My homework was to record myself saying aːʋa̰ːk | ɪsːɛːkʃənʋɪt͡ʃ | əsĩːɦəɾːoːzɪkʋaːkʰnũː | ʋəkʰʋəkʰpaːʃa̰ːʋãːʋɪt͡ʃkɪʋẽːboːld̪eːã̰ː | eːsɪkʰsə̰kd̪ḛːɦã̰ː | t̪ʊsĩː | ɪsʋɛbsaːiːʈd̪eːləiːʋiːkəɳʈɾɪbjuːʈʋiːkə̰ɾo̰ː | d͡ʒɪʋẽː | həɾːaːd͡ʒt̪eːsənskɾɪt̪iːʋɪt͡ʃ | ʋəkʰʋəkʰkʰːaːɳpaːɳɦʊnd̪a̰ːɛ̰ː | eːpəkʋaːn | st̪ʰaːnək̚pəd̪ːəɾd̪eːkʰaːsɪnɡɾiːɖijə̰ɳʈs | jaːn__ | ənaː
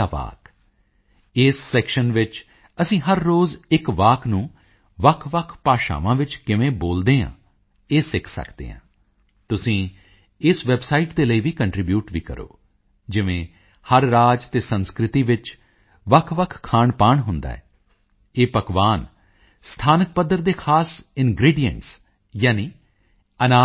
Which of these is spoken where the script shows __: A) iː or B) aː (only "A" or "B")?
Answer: A